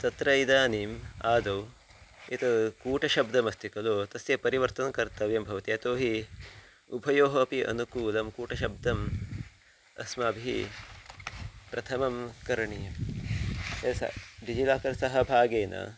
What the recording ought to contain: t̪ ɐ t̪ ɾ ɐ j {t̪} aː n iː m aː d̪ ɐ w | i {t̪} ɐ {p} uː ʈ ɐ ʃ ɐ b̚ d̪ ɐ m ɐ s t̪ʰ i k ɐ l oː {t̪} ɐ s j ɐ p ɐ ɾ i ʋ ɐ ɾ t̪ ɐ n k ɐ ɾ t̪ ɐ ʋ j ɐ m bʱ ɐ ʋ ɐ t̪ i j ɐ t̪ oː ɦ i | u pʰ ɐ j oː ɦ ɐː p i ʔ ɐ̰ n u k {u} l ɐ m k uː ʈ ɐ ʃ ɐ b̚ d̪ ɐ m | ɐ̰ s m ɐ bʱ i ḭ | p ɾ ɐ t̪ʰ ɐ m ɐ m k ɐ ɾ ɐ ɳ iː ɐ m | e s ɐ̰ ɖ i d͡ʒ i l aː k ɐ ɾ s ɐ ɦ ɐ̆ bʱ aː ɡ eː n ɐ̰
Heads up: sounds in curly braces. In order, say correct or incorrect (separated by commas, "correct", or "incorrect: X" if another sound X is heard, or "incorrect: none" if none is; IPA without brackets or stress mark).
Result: incorrect: d̪, correct, incorrect: k, correct, incorrect: uː